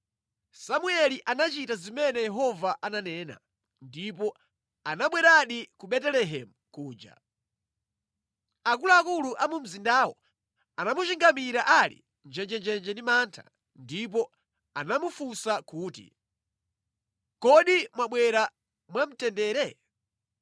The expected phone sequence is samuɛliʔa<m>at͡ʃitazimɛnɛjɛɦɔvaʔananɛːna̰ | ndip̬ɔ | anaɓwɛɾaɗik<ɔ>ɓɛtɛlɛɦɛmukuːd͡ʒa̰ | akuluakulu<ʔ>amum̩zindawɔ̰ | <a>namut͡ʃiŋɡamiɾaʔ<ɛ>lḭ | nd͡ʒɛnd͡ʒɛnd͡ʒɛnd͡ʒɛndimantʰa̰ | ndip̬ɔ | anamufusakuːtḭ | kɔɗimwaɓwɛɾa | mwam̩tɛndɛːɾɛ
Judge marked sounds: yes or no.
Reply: no, no, yes, yes, no

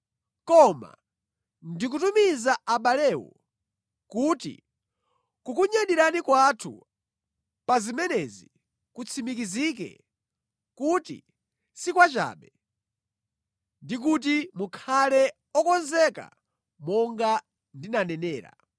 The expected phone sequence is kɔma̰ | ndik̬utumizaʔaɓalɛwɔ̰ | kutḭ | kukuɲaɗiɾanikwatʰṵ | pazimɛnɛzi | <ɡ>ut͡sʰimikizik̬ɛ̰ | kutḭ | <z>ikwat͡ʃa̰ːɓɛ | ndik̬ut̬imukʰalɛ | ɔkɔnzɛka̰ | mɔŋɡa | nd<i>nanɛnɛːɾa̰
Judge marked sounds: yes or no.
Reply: no, no, yes

